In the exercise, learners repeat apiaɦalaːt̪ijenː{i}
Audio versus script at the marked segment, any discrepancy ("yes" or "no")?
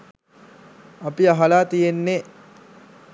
yes